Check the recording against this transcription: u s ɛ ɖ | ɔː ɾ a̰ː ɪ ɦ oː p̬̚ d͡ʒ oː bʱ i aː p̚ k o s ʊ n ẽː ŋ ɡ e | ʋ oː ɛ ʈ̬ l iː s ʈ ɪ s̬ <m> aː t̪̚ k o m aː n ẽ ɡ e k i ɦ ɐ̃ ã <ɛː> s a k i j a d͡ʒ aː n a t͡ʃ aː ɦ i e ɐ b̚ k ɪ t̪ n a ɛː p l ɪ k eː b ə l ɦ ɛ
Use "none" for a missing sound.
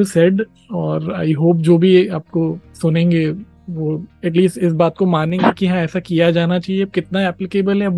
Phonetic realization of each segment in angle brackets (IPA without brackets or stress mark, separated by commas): b, ɛː